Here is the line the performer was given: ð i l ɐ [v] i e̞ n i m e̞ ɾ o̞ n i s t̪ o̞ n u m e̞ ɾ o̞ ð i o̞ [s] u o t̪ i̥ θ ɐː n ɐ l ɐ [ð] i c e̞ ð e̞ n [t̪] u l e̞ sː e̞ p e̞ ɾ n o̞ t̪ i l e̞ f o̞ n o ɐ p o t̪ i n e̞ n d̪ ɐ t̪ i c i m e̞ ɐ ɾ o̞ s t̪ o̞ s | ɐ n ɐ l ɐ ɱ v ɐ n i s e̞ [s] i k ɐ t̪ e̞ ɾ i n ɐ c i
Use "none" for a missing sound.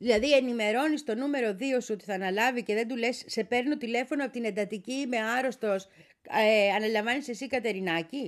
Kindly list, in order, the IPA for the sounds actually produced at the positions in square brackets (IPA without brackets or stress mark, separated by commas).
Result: ð, s, v, d̪, s